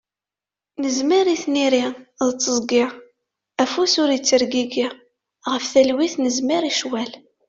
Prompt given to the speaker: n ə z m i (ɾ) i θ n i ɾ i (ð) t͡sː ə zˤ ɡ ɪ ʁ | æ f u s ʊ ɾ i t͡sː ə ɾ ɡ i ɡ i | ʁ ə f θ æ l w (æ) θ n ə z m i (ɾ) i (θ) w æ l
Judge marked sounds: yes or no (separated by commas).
yes, yes, no, yes, no